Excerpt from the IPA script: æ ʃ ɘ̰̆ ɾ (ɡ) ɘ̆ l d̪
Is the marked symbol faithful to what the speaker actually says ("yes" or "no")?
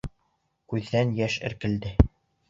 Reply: no